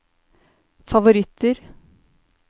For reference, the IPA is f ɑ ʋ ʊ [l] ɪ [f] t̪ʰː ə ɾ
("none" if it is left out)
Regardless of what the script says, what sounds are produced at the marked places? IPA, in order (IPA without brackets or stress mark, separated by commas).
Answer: ɾ, none